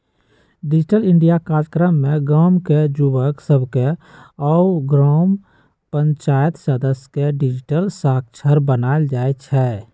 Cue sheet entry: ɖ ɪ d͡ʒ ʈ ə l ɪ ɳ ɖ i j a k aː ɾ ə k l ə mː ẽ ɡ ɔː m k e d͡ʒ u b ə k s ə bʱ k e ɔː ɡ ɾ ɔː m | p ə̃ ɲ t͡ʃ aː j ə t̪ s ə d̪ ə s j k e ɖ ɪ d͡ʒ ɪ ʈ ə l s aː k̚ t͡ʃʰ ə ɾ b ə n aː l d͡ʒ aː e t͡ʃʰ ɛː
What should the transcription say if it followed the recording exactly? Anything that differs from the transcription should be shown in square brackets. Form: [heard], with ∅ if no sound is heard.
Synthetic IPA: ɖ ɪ d͡ʒ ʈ ə l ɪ ɳ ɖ i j a k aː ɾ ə k [ɾ] ə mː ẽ ɡ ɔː m k e d͡ʒ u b ə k s ə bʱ k e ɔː ɡ ɾ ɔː m | p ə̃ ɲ t͡ʃ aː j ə t̪ s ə d̪ ə s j k e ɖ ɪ d͡ʒ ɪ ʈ ə l s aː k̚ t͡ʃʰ ə ɾ b ə n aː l d͡ʒ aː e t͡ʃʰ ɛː